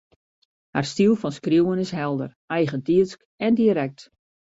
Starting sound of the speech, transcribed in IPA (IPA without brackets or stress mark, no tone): h